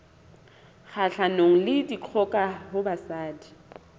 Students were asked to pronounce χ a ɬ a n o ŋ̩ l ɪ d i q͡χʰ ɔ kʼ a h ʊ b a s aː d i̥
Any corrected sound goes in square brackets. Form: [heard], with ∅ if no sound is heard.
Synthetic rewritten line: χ a ɬ a n o ŋ̩ l ɪ d i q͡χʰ ɔ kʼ a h ʊ b a s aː d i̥